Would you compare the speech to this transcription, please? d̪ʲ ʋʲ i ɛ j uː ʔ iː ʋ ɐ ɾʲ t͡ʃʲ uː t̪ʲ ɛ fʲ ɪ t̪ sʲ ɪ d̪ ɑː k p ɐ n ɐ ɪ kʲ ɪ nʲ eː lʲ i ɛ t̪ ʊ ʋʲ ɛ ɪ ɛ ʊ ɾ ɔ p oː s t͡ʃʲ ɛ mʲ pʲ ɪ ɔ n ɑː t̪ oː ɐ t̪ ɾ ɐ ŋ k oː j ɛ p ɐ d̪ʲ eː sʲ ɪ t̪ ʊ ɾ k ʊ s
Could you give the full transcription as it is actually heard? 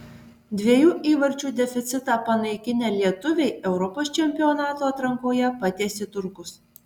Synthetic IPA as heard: d̪ʲ ʋʲ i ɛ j uː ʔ iː ʋ ɐ ɾʲ t͡ʃʲ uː d̪ʲ ɛ fʲ ɪ t̪ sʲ ɪ t̪ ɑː p ɐ n ɐ ɪ kʲ ɪ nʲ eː lʲ i ɛ t̪ ʊ ʋʲ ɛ ɪ ɛ ʊ ɾ ɔ p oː s t͡ʃʲ ɛ mʲ pʲ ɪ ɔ n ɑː t̪ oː ɐ t̪ ɾ ɐ ŋ k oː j ɛ p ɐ t̪ʲ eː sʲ ɪ t̪ ʊ ɾ k ʊ s

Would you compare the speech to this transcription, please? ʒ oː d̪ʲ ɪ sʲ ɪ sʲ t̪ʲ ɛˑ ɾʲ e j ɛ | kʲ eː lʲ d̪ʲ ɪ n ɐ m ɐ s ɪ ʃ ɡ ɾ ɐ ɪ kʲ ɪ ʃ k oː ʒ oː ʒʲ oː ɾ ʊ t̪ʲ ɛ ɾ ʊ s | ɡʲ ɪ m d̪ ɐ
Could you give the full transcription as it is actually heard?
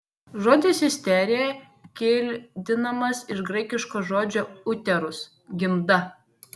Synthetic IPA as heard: ʒ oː d̪ʲ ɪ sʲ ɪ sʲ t̪ʲ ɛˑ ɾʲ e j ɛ | kʲ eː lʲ d̪ʲ ɪ n ɐ m ɐ s ɪ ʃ ɡ ɾ ɐ ɪ kʲ ɪ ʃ k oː ʒ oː d͡ʒʲ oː ʊ t̪ʲ ɛ ɾ ʊ s | ɡʲ ɪ m d̪ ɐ

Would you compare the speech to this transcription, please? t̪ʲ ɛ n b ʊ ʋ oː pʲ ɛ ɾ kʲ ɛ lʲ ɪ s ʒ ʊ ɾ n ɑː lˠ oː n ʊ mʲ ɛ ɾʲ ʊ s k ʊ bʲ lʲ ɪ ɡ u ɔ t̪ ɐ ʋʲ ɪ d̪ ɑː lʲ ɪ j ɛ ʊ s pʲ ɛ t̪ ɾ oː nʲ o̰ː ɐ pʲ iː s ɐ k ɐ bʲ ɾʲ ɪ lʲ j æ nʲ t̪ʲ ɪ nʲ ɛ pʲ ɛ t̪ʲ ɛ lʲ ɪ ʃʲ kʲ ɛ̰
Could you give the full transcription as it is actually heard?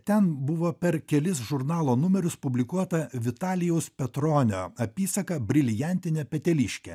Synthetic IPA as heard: t̪ʲ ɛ n b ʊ ʋ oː pʲ ɛ ɾ kʲ ɛ lʲ ɪ s ʒ ʊ ɾ n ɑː lˠ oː n ʊ mʲ ɛ ɾʲ ʊ s p ʊ bʲ lʲ ɪ k u ɔ t̪ ɐ ʋʲ ɪ t̪ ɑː lʲ ɪ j ɛ ʊ s pʲ ɛ t̪ ɾ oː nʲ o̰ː ɐ pʲ iː s ɐ k ɐ bʲ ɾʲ ɪ lʲ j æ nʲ t̪ʲ ɪ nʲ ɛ pʲ ɛ t̪ʲ ɛ lʲ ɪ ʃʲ kʲ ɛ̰

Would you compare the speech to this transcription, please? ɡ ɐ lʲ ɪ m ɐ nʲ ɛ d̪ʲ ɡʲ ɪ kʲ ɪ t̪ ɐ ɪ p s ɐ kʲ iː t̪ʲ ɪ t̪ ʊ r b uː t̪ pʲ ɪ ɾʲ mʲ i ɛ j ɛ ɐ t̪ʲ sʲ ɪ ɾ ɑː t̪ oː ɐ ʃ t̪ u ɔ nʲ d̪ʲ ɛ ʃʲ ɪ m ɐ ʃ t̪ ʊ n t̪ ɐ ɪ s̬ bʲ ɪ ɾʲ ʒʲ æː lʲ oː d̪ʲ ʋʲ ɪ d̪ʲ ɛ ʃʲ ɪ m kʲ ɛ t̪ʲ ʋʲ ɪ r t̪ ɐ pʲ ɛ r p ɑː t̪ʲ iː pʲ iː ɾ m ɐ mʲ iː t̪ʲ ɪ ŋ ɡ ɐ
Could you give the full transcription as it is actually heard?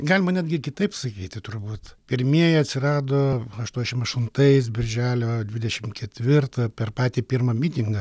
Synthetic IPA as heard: ɡ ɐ lʲ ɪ m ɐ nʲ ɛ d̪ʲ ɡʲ ɪ kʲ ɪ t̪ ɐ ɪ p s ɐ kʲ iː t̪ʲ ɪ t̪ ʊ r b uː t̪ pʲ ɪ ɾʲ mʲ i ɛ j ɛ ɐ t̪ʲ sʲ ɪ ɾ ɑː d̪ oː ɐ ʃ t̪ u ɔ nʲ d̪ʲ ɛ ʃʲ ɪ m ɐ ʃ t̪ ʊ n t̪ ɐ ɪ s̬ bʲ ɪ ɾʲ ʒʲ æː lʲ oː d̪ʲ ʋʲ ɪ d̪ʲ ɛ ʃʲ ɪ m kʲ ɛ t̪ʲ ʋʲ ɪ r t̪ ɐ pʲ ɛ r p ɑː t̪ʲ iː pʲ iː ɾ m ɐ mʲ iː t̪ʲ ɪ ŋ ɡ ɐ

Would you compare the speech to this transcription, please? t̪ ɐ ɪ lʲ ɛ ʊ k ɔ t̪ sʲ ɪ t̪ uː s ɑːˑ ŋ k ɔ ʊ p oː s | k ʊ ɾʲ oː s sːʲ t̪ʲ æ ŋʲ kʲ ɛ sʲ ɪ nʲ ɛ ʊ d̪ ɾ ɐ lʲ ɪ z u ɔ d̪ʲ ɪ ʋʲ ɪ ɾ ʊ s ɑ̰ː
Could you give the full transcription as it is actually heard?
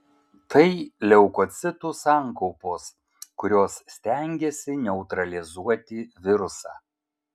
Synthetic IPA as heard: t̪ ɐ ɪ lʲ ɛ ʊ k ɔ t̪ sʲ ɪ t̪ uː s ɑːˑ ŋ k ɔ ʊ p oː s | k ʊ ɾʲ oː s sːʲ t̪ʲ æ ŋʲ ɡʲ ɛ sʲ ɪ nʲ ɛ ʊ t̪ ɾ ɐ lʲ ɪ z u ɔ t̪ʲ ɪ ʋʲ ɪ ɾ ʊ s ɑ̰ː

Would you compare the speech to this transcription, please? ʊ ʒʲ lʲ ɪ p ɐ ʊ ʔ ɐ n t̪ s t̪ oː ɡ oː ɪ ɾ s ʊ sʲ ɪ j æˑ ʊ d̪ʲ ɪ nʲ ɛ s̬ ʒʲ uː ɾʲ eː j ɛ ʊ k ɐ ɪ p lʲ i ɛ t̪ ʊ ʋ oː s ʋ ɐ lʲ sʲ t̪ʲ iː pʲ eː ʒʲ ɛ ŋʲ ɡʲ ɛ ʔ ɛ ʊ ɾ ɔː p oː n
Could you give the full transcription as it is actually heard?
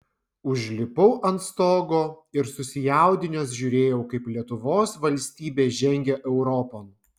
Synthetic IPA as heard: ʊ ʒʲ lʲ ɪ p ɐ ʊ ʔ ɐ n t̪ s t̪ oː ɡ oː ɪ ɾ s ʊ sʲ ɪ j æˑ ʊ d̪ʲ ɪ nʲ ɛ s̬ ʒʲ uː ɾʲ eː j ɛ ʊ k ɐ ɪ p lʲ i ɛ t̪ ʊ ʋ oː s ʋ ɐ lʲ sʲ t̪ʲ iː bʲ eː ʒʲ ɛ ŋʲ ɡʲ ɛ ʔ ɛ ʊ ɾ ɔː p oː n

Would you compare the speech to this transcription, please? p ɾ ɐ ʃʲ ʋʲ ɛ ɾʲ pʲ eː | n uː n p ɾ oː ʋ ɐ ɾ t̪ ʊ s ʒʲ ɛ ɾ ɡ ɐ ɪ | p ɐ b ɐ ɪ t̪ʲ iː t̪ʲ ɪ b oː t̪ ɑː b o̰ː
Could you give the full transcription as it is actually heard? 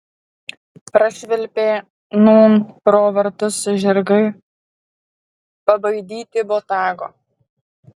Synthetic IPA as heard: p ɾ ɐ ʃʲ ʋʲ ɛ lʲ pʲ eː | n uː n p ɾ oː ʋ ɐ ɾ t̪ ʊ s ʒʲ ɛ ɾ ɡ ɐ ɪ | p ɐ b ɐ ɪ d̪ʲ iː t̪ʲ ɪ b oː t̪ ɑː ɡ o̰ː

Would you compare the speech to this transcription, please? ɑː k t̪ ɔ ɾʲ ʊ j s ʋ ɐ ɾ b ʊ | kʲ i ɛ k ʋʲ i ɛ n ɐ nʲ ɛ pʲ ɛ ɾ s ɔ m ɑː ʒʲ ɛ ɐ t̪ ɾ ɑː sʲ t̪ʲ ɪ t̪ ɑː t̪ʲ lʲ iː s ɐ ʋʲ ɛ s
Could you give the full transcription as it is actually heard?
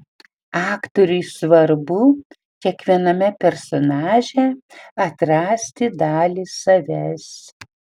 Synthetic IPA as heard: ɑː k t̪ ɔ ɾʲ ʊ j s ʋ ɐ ɾ b ʊ | kʲ i ɛ k ʋʲ i ɛ n ɐ mʲ ɛ pʲ ɛ ɾ s ɔ n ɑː ʒʲ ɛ ɐ t̪ ɾ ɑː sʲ t̪ʲ ɪ d̪ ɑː lʲ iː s ɐ ʋʲ ɛ s

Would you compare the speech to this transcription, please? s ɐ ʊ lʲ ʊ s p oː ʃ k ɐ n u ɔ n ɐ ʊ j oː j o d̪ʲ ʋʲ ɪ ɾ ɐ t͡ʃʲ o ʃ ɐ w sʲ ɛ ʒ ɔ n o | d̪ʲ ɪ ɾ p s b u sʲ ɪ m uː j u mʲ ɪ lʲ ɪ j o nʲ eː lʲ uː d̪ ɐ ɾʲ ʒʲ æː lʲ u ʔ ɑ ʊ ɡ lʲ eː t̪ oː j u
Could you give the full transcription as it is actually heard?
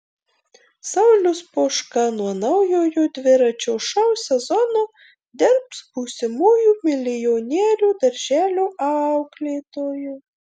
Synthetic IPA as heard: s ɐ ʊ lʲ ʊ s p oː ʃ k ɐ n u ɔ n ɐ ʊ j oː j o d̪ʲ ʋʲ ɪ ɾ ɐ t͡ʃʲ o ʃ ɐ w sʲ ɛ z ɔ n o | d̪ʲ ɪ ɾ p s b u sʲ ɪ m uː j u mʲ ɪ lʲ ɪ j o nʲ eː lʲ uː d̪ ɐ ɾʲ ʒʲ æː lʲ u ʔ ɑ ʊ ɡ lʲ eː t̪ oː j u

